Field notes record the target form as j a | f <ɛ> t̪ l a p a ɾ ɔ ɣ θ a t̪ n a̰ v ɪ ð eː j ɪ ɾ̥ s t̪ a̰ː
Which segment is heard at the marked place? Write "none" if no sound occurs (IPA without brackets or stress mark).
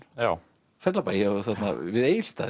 ɛ